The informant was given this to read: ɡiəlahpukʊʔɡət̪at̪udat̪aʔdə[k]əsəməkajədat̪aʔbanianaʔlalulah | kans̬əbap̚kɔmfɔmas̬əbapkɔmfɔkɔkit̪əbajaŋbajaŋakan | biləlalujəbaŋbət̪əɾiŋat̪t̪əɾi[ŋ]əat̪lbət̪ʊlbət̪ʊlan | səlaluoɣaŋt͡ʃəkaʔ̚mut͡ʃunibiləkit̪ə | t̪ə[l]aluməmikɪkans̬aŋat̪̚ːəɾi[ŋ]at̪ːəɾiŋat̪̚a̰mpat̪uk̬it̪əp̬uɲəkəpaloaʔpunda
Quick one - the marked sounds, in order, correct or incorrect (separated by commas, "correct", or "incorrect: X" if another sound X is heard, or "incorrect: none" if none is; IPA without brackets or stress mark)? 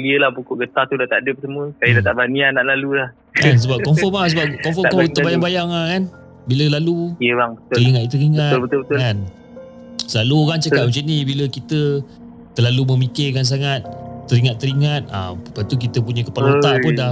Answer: incorrect: p, correct, correct, correct